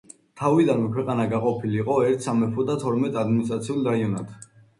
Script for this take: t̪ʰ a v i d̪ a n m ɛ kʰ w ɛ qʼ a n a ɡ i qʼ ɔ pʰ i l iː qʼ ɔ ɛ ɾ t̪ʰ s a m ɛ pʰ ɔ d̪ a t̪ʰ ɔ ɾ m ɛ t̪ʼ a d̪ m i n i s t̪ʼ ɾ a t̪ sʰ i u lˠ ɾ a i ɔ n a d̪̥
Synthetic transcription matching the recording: t̪ʰ a v i d̪ a n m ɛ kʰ w ɛ qʼ a n a ɡ a qʼ ɔ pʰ i l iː qʼ ɔ ɛ ɾ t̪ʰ s a m ɛ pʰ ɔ d̪ a t̪ʰ ɔ ɾ m ɛ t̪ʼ a d̪ m i n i s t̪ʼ ɾ a t̪ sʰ i u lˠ ɾ a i ɔ n a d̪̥